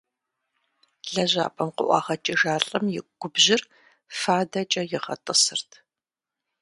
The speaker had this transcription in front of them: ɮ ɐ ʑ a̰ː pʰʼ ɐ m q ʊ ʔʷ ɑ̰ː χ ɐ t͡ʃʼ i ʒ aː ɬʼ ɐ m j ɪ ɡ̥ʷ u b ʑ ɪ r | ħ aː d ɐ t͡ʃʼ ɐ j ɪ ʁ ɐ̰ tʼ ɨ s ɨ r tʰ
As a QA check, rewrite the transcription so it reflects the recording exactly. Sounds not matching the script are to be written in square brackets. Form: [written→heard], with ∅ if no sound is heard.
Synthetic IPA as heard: ɮ ɐ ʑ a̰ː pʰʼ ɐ m q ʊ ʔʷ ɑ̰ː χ ɐ t͡ʃʼ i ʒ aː ɬʼ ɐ m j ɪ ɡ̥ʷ [u→ʊ] b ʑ ɪ r | [ħ→f] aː d ɐ t͡ʃʼ ɐ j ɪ ʁ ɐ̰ tʼ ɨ s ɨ r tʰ